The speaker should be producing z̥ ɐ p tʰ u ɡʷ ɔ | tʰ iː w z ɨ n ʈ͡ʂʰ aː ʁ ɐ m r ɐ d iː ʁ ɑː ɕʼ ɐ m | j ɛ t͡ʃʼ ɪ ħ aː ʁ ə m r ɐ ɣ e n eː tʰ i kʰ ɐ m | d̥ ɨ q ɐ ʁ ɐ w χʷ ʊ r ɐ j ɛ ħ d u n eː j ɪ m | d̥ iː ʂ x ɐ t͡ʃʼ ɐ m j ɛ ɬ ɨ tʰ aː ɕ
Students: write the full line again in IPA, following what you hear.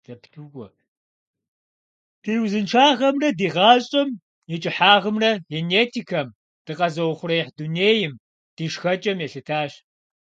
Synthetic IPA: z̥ ɐ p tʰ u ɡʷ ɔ | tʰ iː w z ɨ n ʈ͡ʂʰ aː ʁ ɐ m r ɐ d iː ʁ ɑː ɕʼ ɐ m | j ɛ t͡ʃʼ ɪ ħ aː ʁ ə m r ɐ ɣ e n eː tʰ i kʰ ɐ m | d̥ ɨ q ɐ z ɐ w χʷ ʊ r ɐ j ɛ ħ d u n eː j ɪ m | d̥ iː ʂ x ɐ t͡ʃʼ ɐ m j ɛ ɬ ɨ tʰ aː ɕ

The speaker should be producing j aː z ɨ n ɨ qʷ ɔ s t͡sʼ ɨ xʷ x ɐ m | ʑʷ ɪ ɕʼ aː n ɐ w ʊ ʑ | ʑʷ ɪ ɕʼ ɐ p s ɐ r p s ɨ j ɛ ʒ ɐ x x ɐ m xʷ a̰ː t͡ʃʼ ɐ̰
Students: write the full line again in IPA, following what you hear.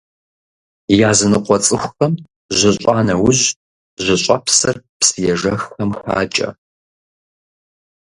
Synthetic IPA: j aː z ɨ n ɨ qʷ ɔ t͡sʼ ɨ xʷ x ɐ m | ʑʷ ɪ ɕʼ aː n ɐ w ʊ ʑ | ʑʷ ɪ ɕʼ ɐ p s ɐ r p s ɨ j ɛ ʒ ɐ x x ɐ m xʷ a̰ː t͡ʃʼ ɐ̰

